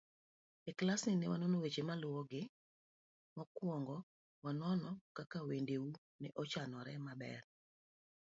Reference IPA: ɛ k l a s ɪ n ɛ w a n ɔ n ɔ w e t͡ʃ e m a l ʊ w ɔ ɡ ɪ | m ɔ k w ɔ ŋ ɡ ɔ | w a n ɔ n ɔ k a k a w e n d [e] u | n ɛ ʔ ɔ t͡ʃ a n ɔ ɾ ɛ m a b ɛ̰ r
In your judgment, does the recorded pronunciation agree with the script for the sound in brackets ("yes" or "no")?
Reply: yes